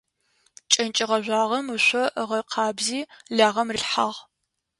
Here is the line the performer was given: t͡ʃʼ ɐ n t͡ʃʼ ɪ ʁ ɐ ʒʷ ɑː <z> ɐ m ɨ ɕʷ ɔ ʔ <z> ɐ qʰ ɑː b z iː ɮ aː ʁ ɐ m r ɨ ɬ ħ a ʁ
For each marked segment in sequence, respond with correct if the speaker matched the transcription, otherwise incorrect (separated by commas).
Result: incorrect, incorrect